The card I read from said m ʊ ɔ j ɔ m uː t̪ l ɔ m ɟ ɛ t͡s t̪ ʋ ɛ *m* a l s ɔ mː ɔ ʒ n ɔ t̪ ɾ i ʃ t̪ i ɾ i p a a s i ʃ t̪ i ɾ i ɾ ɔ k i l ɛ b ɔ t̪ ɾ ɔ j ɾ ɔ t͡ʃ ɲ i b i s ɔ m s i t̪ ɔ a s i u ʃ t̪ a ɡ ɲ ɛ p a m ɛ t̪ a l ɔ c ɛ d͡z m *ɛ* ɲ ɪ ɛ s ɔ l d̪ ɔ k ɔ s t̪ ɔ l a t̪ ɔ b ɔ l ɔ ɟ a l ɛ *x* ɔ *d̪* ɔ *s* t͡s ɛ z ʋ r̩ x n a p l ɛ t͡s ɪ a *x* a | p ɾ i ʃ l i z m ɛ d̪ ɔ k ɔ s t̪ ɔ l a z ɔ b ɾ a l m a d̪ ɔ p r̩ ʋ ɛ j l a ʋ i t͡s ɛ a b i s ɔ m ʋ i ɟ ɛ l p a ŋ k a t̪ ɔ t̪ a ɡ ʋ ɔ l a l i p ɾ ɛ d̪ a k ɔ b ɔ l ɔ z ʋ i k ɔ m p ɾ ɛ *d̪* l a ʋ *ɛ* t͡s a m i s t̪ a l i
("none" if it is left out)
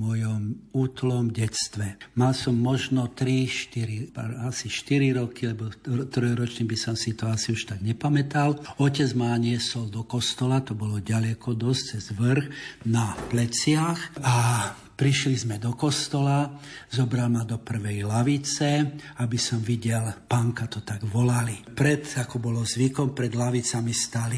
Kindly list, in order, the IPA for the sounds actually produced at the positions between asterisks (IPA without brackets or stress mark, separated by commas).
m, a, k, d̪, s, x, d̪, i